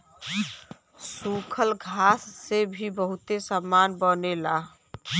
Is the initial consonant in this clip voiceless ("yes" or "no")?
yes